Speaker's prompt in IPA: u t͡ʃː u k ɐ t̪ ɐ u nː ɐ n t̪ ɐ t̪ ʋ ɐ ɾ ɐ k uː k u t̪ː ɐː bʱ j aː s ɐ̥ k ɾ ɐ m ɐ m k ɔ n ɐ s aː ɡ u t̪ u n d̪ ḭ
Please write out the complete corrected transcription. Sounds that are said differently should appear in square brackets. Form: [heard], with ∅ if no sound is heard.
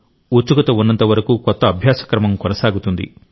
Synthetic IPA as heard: u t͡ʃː u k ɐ t̪ ɐ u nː ɐ n t̪ ɐ [∅] ʋ ɐ ɾ ɐ k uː k [ɔ] t̪ː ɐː bʱ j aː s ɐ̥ k ɾ ɐ m ɐ m k ɔ n ɐ s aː ɡ u t̪ u n d̪ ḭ